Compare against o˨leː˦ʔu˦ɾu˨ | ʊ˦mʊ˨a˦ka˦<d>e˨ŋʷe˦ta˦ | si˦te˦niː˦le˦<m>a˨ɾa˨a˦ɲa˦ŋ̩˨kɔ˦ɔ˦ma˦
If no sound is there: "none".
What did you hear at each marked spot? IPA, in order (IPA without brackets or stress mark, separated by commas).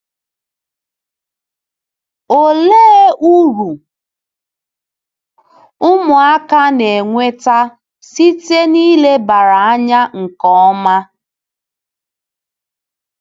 n, b